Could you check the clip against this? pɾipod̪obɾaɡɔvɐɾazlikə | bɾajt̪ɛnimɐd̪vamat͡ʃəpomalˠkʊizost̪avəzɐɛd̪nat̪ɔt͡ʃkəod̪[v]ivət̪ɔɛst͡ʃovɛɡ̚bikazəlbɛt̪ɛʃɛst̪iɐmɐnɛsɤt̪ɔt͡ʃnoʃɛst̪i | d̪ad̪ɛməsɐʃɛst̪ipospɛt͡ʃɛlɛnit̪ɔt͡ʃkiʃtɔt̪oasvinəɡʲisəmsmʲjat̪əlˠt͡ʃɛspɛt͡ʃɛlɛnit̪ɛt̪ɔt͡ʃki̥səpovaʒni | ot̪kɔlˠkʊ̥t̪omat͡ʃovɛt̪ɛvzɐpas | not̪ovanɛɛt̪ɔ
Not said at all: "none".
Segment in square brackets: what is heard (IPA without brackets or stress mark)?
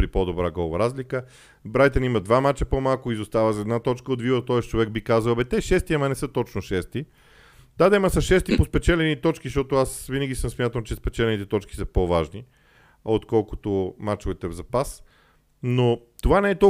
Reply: v